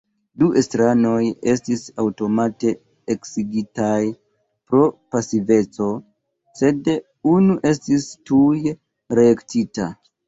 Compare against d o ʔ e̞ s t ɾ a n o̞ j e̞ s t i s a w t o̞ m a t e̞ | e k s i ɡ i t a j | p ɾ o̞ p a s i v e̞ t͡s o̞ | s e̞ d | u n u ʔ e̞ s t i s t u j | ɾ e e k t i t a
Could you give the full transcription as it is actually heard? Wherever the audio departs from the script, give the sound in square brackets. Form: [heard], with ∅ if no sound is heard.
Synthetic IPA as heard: d [u] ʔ e̞ s t ɾ a n o̞ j e̞ s t i s a w t o̞ m a t e̞ | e k s i ɡ i t a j | p ɾ o̞ p a s i v e̞ t͡s o̞ | s e̞ d | u n u ʔ e̞ s t i s t u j | ɾ e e k t i t a